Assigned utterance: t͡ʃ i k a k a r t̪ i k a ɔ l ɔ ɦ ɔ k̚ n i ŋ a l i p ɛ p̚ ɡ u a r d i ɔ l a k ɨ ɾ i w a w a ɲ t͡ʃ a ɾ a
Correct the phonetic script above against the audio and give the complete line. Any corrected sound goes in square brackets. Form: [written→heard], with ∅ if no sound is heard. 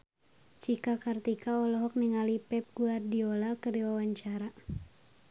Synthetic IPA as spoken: t͡ʃ i k a k a r t̪ i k a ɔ l ɔ ɦ ɔ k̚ n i ŋ a l i p ɛ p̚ ɡ u a r d i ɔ l a k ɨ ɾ i w a w a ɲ t͡ʃ a ɾ a